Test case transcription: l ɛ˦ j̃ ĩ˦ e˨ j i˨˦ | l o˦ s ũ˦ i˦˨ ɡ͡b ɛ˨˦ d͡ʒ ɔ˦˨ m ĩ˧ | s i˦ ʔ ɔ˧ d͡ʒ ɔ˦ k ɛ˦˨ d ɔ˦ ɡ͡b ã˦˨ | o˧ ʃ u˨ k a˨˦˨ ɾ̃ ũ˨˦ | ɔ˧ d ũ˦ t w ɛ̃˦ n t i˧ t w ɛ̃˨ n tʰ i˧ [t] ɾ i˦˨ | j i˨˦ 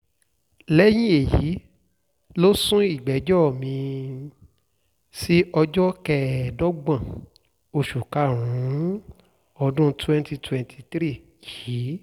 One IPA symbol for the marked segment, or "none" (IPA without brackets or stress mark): t